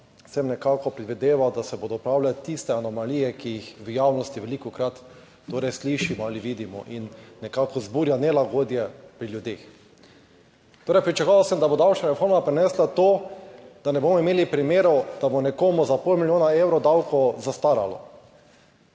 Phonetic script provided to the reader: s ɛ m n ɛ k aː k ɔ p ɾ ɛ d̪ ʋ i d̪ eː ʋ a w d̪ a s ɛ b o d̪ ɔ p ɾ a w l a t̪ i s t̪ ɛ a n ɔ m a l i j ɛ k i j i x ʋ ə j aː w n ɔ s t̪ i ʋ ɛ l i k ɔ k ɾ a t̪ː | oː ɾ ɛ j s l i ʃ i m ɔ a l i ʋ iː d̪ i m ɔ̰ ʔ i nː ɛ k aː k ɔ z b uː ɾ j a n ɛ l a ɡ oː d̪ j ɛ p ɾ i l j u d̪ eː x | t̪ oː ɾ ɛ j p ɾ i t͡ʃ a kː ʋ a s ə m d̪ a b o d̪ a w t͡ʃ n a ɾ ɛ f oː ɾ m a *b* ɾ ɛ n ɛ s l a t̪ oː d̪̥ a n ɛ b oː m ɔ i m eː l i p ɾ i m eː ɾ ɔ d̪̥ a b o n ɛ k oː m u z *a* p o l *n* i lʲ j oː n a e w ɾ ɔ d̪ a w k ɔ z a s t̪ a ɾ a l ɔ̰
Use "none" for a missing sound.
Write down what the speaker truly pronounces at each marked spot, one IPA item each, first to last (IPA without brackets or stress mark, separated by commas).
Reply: p, a, m